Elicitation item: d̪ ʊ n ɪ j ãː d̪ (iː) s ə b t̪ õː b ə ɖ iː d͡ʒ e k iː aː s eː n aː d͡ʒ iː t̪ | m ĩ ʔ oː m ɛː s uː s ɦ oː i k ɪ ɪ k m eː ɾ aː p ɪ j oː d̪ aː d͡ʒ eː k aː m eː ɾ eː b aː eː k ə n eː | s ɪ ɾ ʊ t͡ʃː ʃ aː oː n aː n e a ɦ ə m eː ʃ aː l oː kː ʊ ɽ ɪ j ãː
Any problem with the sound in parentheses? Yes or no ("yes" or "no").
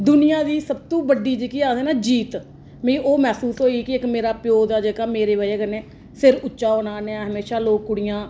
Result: no